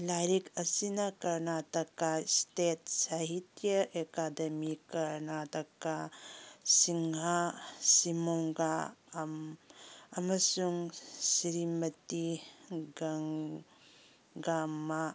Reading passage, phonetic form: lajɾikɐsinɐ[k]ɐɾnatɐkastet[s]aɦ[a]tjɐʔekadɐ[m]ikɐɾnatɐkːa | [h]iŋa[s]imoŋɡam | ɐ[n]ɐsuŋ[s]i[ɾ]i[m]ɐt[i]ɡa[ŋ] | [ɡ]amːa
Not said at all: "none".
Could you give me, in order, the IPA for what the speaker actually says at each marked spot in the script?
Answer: k, s, i, m, s, s, m, s, ɾ, m, i, ŋ, ɡ

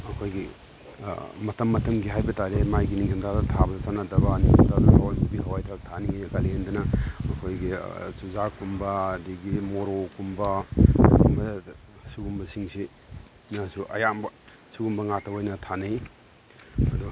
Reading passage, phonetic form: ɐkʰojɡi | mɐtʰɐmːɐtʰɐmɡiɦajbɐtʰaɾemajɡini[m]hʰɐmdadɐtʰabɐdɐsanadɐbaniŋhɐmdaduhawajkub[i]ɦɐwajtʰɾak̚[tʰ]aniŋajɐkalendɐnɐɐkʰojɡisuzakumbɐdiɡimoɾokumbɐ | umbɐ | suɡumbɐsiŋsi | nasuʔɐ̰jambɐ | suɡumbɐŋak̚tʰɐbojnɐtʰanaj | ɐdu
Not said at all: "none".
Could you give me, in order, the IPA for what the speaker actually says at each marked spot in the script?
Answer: ŋ, i, tʰ

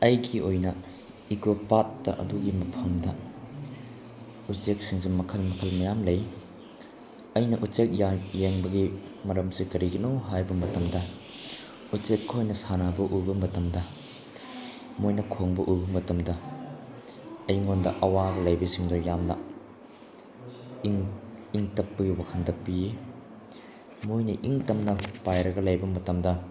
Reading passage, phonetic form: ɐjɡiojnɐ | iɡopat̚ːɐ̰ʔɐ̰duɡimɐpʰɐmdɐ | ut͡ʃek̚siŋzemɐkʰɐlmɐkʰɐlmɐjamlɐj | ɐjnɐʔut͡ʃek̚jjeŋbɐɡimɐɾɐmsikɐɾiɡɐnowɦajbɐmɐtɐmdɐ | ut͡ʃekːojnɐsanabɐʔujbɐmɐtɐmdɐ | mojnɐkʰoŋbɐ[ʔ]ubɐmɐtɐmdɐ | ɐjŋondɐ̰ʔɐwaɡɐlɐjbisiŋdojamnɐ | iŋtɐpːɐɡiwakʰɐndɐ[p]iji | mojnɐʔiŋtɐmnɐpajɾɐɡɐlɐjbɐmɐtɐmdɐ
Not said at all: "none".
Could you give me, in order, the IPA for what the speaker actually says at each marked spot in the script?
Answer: ʔ, p

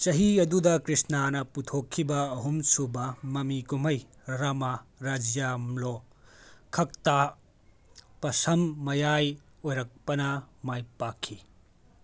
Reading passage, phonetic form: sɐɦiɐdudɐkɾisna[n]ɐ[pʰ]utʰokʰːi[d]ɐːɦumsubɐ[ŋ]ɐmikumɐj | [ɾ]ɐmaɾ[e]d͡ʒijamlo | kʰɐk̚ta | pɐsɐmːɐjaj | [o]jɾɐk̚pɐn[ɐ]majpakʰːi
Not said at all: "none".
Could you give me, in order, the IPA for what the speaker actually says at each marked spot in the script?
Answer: n, p, b, m, ɾ, a, o, ɐ

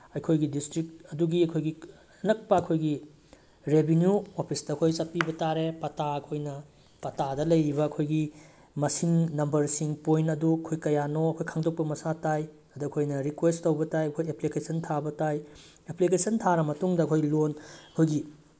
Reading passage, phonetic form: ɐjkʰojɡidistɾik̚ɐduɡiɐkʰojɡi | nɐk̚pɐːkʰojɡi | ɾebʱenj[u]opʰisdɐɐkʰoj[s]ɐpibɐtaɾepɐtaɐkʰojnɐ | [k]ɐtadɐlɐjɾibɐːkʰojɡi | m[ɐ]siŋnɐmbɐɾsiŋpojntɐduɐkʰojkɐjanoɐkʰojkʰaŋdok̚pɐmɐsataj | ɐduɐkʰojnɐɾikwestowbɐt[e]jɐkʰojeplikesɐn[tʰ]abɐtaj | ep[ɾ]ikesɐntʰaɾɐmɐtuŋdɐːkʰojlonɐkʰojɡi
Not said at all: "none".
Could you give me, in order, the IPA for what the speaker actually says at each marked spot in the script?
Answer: u, s, p, ɐ, a, tʰ, l

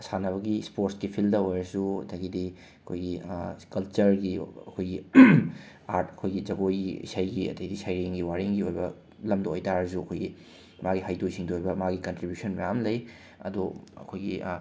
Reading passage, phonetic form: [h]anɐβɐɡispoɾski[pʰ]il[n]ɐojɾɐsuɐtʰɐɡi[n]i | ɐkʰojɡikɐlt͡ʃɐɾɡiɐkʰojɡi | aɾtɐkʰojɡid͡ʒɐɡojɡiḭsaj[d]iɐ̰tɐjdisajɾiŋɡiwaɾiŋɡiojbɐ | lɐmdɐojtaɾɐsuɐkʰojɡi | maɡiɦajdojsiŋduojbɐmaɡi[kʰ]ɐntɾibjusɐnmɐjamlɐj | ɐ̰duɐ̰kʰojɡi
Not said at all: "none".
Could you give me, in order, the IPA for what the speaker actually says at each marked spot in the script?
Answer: s, pʰ, d, d, ɡ, k

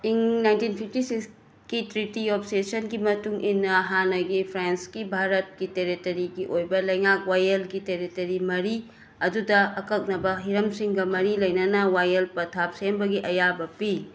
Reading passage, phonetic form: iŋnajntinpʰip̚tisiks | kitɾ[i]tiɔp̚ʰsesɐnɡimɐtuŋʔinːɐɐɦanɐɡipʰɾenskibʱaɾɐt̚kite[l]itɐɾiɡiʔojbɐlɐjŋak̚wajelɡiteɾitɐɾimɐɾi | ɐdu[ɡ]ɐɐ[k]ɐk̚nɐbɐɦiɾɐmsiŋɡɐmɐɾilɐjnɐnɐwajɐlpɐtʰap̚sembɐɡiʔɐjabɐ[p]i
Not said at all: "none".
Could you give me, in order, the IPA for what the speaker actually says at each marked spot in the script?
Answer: i, ɾ, d, k, p

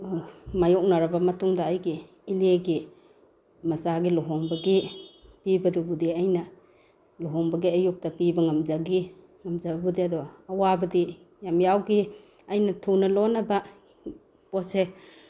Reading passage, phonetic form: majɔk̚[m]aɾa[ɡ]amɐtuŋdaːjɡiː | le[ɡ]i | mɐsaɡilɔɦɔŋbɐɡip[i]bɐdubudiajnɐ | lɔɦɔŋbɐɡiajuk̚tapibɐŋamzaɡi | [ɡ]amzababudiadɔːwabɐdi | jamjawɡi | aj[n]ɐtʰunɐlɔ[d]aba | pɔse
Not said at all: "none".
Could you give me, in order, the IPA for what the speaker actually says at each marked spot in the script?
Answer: n, b, ɡ, i, ŋ, n, n

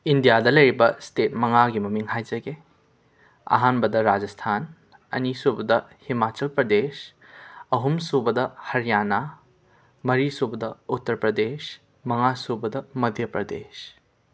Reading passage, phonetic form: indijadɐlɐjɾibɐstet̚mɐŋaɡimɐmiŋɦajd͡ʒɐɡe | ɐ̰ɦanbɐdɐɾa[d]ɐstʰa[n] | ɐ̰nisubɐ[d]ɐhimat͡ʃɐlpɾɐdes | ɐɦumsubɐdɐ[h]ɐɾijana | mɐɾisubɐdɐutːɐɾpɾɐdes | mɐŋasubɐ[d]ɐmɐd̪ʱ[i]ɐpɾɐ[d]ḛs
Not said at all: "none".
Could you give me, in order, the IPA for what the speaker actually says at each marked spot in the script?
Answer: d͡ʒ, n, d, h, d, j, d

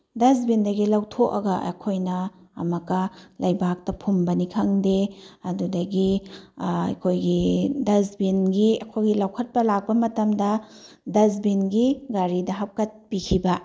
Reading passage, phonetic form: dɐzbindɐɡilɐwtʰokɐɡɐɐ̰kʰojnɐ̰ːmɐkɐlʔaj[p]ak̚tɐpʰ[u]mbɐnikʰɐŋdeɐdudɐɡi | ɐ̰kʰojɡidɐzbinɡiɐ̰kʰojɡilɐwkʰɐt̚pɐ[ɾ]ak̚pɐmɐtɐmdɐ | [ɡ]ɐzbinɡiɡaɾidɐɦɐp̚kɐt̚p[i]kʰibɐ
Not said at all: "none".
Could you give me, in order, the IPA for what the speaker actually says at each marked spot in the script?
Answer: b, u, l, d, i

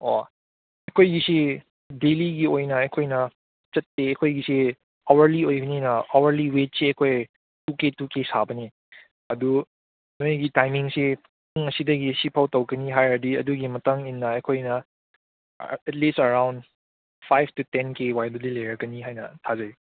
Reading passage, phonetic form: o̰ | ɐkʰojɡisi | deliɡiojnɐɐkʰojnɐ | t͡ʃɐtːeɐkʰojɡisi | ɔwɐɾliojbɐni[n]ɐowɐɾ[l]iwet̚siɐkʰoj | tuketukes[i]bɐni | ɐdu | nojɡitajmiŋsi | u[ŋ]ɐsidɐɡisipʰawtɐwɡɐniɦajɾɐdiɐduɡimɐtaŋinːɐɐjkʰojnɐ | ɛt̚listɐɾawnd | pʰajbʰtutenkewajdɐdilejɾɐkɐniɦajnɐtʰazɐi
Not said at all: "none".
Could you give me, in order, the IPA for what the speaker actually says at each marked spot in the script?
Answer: n, l, a, ŋ

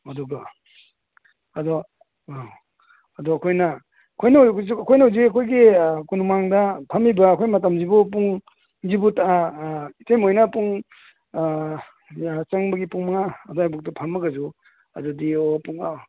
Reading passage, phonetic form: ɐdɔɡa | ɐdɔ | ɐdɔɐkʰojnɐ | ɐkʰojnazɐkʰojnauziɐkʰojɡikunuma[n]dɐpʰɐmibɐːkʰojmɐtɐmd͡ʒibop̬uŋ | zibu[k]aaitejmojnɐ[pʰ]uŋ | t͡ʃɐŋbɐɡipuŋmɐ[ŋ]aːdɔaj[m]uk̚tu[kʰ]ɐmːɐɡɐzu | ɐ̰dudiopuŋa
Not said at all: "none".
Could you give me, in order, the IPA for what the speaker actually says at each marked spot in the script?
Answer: ŋ, t, p, ŋ, b, pʰ

